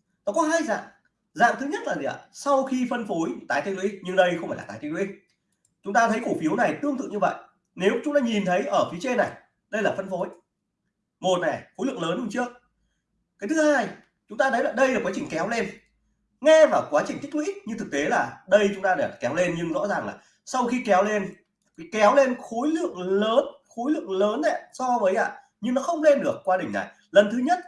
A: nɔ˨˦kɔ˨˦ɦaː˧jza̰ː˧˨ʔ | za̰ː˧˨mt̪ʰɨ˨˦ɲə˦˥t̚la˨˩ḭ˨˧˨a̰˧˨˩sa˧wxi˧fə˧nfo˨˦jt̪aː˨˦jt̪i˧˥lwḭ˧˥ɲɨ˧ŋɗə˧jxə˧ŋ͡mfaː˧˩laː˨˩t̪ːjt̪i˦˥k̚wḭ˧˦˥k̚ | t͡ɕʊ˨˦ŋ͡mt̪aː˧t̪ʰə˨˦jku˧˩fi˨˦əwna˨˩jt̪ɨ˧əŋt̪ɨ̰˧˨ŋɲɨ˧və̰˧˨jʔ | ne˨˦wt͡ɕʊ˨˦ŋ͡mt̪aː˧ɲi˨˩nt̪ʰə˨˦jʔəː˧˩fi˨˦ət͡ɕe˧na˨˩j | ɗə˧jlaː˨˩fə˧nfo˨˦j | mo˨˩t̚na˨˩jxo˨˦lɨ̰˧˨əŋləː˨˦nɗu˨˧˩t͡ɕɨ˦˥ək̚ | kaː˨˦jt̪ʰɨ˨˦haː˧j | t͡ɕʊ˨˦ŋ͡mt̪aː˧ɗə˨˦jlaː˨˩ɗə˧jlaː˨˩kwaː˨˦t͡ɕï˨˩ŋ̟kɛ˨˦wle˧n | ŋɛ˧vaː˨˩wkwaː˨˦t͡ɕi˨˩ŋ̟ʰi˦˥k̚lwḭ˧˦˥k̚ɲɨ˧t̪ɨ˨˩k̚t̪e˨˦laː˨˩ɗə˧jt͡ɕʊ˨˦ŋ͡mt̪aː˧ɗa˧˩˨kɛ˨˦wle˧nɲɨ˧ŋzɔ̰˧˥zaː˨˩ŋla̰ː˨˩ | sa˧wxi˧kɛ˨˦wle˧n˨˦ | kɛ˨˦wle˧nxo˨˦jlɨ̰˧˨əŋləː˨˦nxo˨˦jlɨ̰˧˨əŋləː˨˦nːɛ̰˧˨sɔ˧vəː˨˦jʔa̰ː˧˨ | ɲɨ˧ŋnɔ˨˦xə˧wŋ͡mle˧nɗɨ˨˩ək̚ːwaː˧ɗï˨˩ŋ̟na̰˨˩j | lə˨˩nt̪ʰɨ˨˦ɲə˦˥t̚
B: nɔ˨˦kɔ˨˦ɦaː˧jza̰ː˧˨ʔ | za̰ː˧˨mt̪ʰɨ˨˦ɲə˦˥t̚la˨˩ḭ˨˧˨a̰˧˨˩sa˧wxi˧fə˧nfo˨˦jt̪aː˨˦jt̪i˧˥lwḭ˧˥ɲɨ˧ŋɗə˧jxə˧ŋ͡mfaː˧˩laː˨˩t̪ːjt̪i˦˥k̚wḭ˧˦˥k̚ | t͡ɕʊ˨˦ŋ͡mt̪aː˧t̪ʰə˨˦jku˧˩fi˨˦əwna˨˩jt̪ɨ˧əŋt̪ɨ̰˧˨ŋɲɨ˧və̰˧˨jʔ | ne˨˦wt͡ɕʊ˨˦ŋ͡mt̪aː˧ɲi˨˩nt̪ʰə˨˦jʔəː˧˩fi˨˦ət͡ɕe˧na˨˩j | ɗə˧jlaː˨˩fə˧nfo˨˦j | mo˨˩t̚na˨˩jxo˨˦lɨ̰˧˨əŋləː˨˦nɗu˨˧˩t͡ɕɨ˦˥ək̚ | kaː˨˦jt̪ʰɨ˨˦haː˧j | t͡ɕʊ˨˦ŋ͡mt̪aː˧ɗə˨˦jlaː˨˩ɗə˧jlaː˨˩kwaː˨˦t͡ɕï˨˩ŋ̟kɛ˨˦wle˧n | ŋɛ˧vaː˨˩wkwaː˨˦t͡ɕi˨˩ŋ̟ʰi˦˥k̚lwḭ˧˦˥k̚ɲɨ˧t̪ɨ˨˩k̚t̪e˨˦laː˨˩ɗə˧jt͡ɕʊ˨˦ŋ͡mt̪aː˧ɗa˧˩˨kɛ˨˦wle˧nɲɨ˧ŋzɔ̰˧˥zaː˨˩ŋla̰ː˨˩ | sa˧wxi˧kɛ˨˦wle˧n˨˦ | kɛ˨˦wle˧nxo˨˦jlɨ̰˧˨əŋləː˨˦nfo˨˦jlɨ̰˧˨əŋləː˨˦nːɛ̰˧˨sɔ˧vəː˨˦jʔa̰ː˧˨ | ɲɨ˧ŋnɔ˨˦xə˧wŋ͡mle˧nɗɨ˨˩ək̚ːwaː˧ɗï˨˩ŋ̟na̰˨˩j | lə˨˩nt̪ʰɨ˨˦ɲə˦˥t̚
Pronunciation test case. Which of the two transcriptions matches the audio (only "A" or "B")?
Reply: A